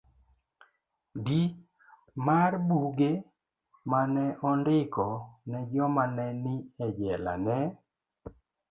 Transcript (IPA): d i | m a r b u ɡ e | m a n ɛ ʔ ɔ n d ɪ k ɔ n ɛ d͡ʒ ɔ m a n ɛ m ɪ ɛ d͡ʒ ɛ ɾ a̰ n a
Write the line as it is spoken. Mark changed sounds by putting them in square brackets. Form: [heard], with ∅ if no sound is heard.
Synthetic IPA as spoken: d i | m a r b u ɡ e | m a n ɛ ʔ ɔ n d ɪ k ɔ n ɛ d͡ʒ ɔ m a n ɛ [n] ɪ ɛ d͡ʒ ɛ [l] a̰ n [ɛ]